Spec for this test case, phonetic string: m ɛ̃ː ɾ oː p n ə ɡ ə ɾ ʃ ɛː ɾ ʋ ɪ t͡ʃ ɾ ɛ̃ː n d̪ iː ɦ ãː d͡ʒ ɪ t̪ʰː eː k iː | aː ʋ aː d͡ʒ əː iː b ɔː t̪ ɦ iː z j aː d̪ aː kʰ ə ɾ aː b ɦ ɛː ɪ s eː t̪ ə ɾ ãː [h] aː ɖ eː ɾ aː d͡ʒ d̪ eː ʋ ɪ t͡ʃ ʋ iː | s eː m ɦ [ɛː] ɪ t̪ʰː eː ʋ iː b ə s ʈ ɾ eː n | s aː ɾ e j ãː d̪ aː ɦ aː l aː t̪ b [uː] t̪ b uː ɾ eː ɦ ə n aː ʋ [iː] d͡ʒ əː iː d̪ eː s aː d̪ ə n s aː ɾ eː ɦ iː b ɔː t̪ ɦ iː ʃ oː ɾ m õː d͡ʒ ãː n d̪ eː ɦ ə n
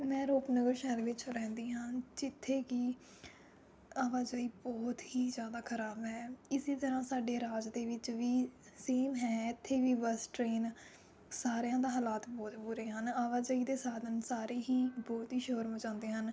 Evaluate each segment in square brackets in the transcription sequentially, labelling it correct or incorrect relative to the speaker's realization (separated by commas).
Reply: incorrect, correct, incorrect, incorrect